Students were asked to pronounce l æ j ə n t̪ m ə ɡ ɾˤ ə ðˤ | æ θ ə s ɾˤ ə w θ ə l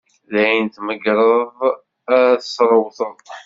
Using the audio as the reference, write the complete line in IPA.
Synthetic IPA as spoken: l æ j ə n t̪ m ə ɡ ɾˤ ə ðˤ | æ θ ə s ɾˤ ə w θ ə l